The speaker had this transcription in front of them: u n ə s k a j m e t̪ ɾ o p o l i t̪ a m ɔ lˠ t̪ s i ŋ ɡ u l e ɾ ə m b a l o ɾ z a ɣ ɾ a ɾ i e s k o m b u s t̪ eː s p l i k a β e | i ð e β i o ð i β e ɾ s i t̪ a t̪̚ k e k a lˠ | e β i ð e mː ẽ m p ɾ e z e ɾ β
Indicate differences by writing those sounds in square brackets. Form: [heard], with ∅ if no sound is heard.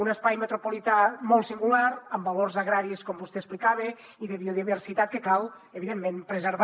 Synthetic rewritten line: u n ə s [p] a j m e t̪ ɾ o p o l i t̪ a m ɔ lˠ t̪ s i ŋ ɡ u l [a] ɾ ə m b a l o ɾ z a ɣ ɾ a ɾ i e s k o m b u s t̪ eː s p l i k a β e | i ð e β i o ð i β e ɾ s i t̪ a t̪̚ k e k a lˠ | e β i ð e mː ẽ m p ɾ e z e ɾ β